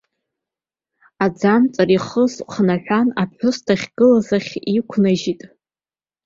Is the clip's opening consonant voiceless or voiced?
voiced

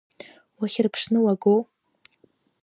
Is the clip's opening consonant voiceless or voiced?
voiced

